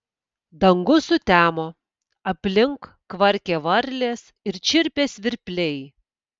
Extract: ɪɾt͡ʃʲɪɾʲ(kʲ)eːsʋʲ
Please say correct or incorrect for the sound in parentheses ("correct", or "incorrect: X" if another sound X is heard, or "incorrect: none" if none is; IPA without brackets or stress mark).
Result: incorrect: pʲ